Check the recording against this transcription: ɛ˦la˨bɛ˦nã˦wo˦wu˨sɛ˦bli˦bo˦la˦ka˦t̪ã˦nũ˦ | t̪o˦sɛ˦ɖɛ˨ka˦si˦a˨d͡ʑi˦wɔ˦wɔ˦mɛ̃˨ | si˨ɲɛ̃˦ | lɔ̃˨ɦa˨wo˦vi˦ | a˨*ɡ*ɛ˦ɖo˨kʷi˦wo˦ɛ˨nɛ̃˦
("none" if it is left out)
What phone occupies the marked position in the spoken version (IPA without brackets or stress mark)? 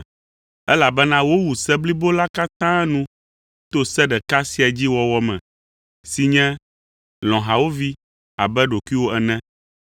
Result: b